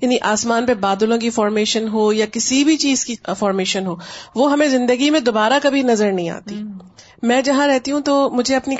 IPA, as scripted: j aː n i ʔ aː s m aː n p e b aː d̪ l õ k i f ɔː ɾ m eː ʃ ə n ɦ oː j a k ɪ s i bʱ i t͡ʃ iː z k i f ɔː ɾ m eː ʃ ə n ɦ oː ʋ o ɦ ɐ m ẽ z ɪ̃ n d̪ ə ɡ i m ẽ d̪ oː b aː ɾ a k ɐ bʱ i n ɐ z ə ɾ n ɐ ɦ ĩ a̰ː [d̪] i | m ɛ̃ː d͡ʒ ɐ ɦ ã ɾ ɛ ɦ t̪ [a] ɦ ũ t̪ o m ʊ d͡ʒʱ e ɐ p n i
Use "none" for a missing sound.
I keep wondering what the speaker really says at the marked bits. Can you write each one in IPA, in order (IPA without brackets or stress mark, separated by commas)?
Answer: t̪, i